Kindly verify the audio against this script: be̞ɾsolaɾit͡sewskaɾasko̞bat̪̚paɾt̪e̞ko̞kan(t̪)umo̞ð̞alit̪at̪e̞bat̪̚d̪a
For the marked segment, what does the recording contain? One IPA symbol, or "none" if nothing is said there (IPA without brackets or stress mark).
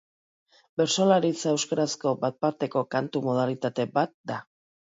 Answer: t̪